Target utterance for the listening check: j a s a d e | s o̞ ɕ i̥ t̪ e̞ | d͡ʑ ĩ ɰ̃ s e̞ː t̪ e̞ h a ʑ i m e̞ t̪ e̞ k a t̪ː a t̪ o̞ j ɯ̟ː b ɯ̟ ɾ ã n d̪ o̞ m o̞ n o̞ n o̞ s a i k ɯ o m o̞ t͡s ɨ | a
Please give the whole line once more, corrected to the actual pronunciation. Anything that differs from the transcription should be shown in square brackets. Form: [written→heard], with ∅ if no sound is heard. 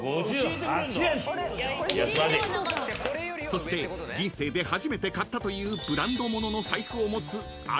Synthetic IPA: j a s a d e | s o̞ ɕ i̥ t̪ e̞ | d͡ʑ ĩ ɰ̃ s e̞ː [t̪→d̪] e̞ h a ʑ i m e̞ t̪ e̞ k a t̪ː a t̪ o̞ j ɯ̟ː b ɯ̟ ɾ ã n d̪ o̞ m o̞ n o̞ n o̞ s a i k ɯ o m o̞ t͡s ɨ | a